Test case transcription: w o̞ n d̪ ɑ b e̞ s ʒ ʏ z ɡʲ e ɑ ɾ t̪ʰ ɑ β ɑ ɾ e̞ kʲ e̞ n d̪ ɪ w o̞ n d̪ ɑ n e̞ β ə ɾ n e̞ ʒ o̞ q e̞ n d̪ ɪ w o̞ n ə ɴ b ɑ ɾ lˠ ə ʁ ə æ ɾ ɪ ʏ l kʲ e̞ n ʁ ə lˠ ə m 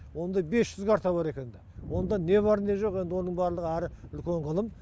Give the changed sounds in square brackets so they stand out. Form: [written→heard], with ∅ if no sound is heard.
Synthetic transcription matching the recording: w o̞ n d̪ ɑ b e̞ s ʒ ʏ z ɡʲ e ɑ ɾ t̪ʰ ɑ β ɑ ɾ e̞ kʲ e̞ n d̪ ɪ w o̞ n d̪ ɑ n e̞ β [ə→ɑ] ɾ n e̞ ʒ o̞ q e̞ n d̪ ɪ w o̞ n ə ɴ b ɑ ɾ lˠ ə ʁ ə æ ɾ ɪ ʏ l kʲ e̞ [n→ɴ] ʁ ə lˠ ə m